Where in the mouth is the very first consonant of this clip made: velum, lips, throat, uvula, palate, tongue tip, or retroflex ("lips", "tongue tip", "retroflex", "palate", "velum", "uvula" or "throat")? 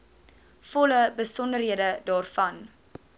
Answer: lips